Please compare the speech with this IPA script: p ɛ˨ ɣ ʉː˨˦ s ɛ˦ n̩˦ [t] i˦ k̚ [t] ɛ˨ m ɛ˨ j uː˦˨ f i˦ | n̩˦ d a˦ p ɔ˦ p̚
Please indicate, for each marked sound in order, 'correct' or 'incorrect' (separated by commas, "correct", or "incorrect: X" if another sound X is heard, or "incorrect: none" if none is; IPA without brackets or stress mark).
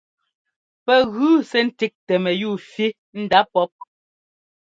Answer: correct, correct